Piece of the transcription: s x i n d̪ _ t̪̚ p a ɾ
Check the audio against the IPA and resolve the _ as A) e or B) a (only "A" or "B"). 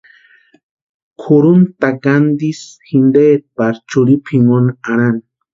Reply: A